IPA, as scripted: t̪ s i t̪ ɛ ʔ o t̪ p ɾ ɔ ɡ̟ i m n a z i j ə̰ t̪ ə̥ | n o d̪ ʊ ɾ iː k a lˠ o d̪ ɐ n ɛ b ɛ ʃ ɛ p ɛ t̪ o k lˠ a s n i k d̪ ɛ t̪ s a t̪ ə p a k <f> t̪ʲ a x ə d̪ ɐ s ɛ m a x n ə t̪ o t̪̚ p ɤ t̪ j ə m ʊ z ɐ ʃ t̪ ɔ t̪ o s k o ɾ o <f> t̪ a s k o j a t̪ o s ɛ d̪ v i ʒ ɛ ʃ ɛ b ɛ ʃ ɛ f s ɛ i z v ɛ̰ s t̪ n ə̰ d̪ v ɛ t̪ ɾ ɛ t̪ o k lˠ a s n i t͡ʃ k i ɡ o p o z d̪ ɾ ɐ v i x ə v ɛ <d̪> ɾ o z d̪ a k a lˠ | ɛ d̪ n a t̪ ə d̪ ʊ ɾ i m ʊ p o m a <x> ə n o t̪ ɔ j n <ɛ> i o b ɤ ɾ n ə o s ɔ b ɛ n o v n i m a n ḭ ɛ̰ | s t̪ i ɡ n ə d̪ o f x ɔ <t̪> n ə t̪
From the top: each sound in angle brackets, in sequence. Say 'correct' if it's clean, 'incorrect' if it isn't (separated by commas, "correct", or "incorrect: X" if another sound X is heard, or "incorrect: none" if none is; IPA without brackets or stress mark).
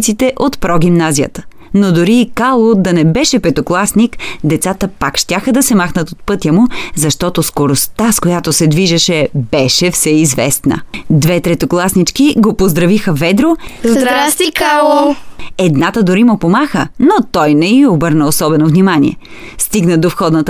incorrect: ʃ, incorrect: s, correct, correct, correct, incorrect: d̪